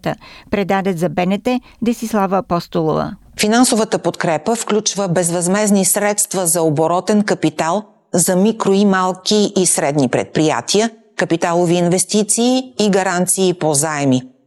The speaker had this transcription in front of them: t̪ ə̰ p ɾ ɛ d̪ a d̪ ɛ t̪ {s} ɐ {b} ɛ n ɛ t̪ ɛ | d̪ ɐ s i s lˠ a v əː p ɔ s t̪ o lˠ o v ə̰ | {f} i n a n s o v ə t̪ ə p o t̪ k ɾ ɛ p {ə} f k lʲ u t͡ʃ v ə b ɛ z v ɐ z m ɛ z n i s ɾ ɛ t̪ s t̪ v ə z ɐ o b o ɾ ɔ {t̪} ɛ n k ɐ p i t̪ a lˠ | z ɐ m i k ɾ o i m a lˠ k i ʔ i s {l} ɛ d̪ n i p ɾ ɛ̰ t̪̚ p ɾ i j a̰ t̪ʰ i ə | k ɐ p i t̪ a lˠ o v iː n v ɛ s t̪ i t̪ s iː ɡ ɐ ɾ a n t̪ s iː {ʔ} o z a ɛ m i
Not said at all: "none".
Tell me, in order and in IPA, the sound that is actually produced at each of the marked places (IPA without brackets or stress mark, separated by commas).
z, b, f, ə, t̪, ɾ, p